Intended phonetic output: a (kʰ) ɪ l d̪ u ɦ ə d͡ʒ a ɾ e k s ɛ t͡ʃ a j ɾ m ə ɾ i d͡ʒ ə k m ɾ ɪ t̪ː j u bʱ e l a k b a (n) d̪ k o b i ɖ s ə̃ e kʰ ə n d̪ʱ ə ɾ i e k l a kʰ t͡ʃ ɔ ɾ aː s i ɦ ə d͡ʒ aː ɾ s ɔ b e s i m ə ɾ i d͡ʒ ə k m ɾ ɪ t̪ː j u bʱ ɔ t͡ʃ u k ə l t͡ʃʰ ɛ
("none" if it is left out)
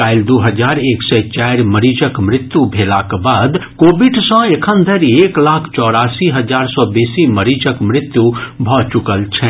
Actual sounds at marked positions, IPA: none, none

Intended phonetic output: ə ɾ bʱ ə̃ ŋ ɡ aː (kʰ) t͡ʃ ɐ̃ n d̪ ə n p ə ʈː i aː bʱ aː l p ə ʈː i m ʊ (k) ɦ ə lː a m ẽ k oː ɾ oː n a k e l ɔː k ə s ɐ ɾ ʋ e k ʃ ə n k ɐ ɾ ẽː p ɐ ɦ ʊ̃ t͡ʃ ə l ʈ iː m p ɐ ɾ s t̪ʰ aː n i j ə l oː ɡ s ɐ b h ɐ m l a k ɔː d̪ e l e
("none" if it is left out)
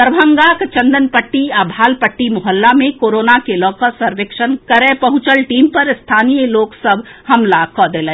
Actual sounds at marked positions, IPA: k, none

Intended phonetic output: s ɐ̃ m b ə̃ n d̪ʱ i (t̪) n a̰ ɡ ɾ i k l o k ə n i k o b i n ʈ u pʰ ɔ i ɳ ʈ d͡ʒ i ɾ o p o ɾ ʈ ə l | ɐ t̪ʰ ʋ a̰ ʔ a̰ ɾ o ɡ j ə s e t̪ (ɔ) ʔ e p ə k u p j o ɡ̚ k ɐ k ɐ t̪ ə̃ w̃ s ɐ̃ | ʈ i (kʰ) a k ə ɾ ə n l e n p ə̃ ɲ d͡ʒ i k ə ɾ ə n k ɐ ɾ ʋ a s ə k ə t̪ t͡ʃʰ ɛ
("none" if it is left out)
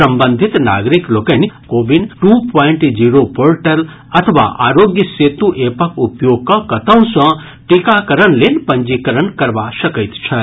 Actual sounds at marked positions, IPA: t̪, u, k

